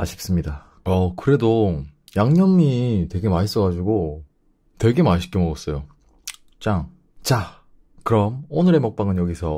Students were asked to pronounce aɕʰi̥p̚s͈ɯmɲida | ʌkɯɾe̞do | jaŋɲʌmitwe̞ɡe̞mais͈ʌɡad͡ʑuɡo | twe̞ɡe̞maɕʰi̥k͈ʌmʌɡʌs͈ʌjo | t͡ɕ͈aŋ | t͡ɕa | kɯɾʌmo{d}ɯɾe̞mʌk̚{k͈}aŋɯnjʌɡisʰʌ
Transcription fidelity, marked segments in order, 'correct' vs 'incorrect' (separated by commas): incorrect, incorrect